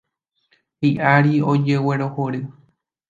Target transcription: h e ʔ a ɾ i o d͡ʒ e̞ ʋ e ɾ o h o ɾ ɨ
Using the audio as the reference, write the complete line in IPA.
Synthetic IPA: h i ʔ a ɾ i o d͡ʒ e̞ w e ɾ o h o ɾ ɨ